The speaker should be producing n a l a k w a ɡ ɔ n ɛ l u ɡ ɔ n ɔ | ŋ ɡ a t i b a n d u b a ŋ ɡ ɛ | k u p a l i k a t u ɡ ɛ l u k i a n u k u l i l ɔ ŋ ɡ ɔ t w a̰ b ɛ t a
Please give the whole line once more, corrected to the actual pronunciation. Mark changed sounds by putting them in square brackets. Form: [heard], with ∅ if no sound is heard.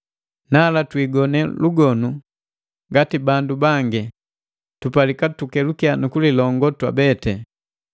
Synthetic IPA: n a l a [t] w [i] ɡ ɔ n ɛ l u ɡ ɔ n [u] | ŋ ɡ a t i b a n d u b a ŋ ɡ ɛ | [t] u p a l i k a t u [k] ɛ l u k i a n u k u l i l ɔ ŋ ɡ ɔ t w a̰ b ɛ t [ɛ]